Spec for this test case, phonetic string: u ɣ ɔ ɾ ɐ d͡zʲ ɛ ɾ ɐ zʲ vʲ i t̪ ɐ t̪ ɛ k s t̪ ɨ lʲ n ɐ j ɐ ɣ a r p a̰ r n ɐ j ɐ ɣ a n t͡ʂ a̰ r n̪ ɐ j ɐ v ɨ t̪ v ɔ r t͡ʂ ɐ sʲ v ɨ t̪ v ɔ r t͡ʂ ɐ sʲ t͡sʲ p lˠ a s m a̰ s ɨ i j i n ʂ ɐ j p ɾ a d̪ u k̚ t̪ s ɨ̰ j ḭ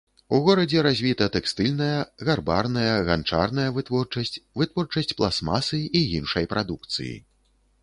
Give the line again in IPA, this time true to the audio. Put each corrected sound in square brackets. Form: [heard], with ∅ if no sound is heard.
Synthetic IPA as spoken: u ɣ ɔ ɾ ɐ d͡zʲ ɛ ɾ [a] zʲ vʲ i t̪ ɐ t̪ ɛ k s t̪ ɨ lʲ n ɐ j ɐ ɣ a r [b] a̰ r n ɐ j ɐ ɣ a n t͡ʂ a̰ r n̪ ɐ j ɐ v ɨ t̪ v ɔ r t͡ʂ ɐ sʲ v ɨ t̪ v ɔ r t͡ʂ ɐ sʲ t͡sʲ p lˠ a s m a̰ s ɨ i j i n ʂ ɐ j p ɾ a d̪ u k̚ t̪ s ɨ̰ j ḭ